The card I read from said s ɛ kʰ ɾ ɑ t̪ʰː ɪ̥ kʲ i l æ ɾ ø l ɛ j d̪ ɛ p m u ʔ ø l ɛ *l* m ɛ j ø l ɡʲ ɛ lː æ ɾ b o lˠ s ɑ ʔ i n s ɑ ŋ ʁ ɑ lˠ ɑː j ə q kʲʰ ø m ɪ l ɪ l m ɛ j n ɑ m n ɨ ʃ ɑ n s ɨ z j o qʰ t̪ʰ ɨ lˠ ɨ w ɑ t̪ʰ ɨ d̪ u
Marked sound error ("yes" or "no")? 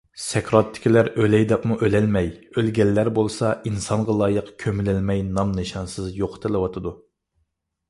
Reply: no